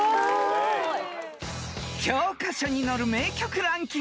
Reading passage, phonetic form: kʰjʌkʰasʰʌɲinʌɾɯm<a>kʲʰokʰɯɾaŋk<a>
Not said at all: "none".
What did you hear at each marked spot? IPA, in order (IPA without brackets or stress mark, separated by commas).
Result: e, i